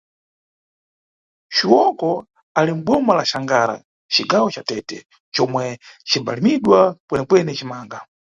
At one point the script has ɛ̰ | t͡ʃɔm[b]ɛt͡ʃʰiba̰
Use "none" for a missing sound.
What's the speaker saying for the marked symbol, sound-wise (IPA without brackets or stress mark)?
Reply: w